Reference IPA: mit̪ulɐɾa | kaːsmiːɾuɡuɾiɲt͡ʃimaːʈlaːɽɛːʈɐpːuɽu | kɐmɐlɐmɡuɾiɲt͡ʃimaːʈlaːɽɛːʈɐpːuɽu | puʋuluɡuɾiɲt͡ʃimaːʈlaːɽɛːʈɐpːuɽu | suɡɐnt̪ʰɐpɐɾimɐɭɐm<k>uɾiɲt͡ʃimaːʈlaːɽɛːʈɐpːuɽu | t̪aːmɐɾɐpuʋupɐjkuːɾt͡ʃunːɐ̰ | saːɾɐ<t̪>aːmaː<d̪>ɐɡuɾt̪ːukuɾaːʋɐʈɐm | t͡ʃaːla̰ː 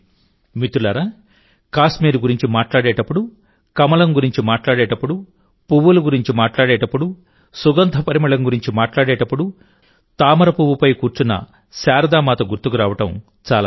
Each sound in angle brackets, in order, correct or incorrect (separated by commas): incorrect, incorrect, incorrect